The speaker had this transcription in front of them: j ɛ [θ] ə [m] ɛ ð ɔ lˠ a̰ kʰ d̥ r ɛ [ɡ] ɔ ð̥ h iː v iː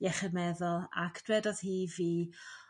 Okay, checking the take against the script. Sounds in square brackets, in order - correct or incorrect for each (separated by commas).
incorrect, correct, incorrect